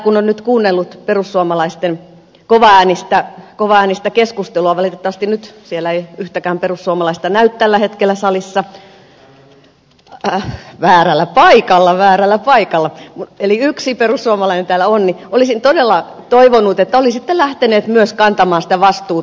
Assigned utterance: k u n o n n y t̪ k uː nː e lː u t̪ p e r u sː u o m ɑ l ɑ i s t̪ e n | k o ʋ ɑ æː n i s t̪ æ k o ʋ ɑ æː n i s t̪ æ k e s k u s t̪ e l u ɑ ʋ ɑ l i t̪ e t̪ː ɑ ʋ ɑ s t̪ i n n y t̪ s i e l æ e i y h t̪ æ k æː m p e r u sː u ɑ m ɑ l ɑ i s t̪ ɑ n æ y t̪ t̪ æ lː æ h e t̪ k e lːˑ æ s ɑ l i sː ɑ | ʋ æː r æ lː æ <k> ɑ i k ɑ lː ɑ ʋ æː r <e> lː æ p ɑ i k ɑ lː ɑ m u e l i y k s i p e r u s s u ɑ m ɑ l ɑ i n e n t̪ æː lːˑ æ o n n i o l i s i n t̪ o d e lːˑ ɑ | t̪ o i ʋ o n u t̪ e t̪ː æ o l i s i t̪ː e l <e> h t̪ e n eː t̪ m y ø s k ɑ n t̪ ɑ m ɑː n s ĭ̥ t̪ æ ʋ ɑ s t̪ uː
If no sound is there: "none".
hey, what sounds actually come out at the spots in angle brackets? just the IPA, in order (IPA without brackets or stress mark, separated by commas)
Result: p, æ, æ